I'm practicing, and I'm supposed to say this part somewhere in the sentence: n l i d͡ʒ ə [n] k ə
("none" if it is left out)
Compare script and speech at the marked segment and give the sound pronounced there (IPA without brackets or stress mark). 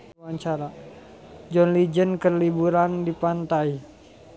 n